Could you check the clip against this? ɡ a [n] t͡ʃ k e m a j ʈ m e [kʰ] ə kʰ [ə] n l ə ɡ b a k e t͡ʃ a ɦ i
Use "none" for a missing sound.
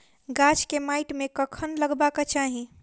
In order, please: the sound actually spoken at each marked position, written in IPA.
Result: none, k, ə

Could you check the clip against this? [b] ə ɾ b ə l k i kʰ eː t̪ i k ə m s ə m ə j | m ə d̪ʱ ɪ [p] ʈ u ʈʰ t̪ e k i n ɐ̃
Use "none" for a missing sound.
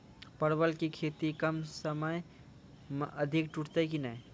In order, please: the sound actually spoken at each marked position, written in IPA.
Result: p, k

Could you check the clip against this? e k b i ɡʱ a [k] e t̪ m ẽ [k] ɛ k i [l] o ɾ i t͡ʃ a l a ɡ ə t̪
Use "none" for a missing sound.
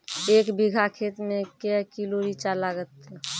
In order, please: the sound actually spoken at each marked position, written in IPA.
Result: kʰ, k, l

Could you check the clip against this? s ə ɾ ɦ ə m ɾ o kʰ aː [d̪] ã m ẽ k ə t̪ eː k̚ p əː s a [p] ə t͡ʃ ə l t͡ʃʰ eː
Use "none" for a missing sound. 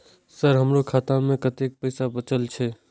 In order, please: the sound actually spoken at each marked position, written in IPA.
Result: t̪, b

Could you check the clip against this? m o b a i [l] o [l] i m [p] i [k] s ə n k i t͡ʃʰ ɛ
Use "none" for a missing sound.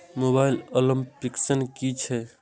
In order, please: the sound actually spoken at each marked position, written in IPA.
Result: l, l, p, k

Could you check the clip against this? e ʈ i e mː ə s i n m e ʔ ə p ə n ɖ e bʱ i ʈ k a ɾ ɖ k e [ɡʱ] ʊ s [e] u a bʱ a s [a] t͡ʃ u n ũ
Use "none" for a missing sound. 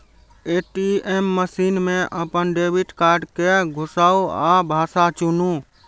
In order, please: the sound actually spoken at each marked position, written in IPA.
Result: ɡʱ, a, a

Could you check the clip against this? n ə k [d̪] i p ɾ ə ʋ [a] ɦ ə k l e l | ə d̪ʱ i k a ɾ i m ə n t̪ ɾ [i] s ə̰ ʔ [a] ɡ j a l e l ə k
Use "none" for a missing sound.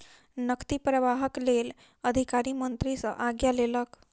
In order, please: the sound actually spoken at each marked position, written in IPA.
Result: t̪, a, i, a

